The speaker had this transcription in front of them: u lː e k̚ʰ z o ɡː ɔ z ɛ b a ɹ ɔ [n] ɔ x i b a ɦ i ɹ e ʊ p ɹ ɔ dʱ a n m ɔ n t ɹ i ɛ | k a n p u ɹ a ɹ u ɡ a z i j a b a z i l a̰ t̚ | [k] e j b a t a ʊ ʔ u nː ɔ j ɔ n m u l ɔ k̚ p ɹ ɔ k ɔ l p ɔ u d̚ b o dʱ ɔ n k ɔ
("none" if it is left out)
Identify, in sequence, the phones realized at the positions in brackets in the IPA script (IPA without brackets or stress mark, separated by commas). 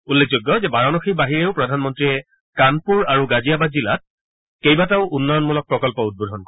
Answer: n, k